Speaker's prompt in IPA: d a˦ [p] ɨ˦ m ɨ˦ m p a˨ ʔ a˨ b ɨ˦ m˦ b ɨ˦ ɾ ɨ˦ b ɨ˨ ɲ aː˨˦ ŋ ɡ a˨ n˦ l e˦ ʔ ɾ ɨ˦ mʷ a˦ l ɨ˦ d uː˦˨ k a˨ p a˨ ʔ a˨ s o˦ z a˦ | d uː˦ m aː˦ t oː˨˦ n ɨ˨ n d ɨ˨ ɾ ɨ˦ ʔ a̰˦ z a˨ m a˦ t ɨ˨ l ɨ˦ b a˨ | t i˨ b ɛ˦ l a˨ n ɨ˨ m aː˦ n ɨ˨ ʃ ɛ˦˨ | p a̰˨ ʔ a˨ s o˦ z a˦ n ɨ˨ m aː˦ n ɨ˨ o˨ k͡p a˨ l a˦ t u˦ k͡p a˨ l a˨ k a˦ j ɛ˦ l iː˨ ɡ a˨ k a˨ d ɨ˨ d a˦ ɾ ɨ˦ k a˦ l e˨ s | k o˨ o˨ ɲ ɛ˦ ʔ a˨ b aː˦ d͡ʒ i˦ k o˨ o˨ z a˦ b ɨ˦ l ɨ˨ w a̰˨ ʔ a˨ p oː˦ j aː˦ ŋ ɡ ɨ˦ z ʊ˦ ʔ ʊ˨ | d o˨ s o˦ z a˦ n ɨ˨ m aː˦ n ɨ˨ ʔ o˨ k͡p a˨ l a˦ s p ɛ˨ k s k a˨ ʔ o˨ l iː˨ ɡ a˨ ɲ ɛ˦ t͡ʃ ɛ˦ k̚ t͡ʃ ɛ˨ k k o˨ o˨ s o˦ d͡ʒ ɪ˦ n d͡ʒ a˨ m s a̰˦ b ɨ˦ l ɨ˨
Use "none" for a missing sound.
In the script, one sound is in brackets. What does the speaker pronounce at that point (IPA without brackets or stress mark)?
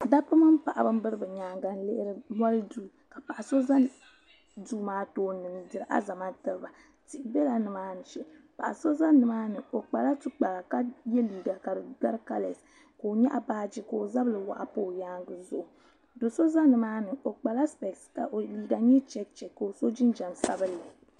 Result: p